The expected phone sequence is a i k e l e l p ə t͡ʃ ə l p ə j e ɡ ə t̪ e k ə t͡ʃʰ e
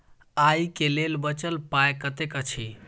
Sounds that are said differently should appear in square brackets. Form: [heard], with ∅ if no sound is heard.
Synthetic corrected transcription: a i k e l e l [b] ə t͡ʃ ə l p [a] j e [k] ə t̪ e k ə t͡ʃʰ [i]